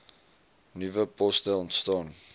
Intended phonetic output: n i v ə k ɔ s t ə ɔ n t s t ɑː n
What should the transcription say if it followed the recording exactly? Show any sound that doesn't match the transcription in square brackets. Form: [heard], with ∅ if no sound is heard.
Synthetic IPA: n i v ə [p] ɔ s t ə ɔ n t s t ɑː n